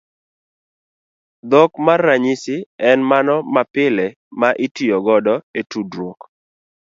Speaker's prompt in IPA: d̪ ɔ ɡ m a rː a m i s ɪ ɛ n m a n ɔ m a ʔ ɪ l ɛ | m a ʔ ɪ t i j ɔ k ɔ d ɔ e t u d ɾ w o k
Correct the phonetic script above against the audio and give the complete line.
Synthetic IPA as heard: d̪ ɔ k m a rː a ɲ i s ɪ ɛ n m a n ɔ m a p ɪ l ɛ | m a ʔ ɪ t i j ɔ ɡ ɔ d ɔ e t u d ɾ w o k